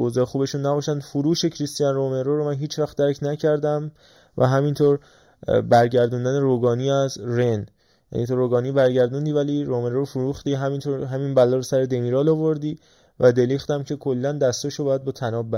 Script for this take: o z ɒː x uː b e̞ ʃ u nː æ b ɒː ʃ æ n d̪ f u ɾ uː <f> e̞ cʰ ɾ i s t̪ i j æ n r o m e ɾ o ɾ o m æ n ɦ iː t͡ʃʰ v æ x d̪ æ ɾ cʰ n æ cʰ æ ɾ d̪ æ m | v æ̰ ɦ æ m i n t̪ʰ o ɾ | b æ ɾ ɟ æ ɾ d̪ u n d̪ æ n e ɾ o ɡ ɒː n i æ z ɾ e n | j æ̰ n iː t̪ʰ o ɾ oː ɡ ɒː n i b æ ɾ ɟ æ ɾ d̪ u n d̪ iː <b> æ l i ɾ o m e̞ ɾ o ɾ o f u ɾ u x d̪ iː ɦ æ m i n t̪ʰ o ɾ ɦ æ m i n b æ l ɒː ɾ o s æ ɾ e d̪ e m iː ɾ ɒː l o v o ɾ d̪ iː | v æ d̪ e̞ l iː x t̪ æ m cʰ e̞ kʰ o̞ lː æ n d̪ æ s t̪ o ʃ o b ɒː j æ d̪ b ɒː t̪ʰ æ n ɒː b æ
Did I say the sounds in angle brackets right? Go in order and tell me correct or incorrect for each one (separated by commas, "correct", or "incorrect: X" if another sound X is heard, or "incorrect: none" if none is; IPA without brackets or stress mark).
incorrect: ʃ, incorrect: v